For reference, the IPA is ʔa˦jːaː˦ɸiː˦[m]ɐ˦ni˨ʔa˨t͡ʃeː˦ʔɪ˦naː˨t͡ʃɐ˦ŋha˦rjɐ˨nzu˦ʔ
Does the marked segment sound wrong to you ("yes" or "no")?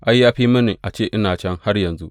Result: no